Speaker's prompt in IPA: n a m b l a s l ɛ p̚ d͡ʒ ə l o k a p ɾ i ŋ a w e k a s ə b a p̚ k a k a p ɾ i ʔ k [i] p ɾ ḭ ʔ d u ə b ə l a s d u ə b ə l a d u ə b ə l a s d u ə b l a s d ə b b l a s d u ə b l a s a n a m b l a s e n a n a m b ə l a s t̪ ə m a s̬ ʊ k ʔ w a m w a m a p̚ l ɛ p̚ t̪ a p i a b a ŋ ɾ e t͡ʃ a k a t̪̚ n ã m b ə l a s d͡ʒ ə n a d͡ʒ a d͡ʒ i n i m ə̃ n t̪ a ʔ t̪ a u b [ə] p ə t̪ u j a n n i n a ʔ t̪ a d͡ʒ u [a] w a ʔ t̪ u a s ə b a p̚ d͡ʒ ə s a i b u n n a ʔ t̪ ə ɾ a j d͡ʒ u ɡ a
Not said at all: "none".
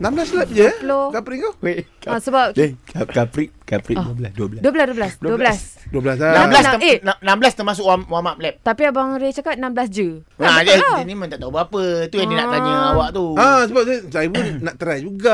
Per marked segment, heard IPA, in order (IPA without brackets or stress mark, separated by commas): a, a, a